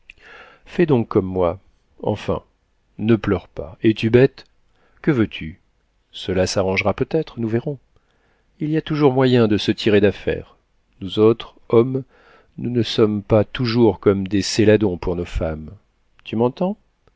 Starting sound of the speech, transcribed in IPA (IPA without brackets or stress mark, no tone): f